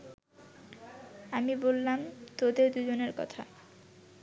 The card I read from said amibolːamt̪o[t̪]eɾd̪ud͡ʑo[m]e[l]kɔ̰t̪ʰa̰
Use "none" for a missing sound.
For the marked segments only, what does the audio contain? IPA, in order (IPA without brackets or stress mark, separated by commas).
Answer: d̪, n, ɾ